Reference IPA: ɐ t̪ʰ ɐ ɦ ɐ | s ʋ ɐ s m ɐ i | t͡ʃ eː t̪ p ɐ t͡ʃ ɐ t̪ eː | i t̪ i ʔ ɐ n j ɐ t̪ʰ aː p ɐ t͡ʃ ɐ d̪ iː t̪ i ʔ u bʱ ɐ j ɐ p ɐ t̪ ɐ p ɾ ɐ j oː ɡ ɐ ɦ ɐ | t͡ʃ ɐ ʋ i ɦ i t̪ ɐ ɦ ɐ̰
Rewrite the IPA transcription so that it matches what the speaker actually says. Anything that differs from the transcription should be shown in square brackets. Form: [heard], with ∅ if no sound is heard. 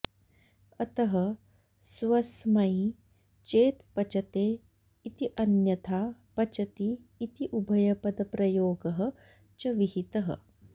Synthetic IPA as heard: ɐ [t̪] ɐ ɦ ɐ | s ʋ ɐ s m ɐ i | t͡ʃ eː t̪ p ɐ t͡ʃ ɐ t̪ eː | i t̪ i ʔ ɐ n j ɐ t̪ʰ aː p ɐ t͡ʃ ɐ [t̪] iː t̪ i ʔ u bʱ ɐ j ɐ p ɐ [d̪] ɐ p ɾ ɐ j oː ɡ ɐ ɦ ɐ | t͡ʃ ɐ ʋ i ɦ i t̪ ɐ ɦ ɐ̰